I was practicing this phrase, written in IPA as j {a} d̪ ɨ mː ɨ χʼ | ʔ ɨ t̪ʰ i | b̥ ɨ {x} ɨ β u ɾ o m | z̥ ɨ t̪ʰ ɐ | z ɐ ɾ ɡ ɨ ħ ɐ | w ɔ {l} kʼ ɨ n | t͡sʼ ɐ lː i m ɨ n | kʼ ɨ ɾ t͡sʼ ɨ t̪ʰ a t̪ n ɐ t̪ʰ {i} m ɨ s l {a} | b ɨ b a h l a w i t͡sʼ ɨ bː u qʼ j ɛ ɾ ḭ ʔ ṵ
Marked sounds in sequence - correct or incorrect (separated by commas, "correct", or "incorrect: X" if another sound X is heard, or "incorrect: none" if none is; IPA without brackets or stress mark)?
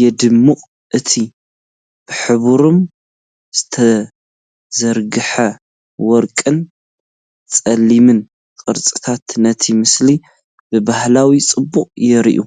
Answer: incorrect: ɛ, incorrect: ħ, incorrect: ɾ, correct, incorrect: i